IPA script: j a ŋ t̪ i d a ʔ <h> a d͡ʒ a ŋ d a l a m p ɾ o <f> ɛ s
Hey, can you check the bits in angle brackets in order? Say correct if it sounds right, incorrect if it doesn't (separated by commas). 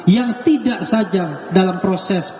incorrect, incorrect